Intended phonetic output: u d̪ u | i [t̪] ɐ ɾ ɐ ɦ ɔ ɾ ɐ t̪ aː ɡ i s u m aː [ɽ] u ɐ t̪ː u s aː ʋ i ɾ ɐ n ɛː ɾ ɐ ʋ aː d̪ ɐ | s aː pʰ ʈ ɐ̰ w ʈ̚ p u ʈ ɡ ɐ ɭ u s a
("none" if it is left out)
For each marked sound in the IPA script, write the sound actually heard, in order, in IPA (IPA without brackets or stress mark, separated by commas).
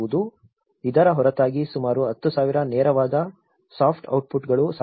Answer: d̪, ɾ